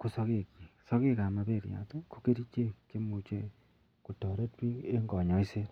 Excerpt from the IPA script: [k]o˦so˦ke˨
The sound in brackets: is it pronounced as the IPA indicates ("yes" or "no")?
yes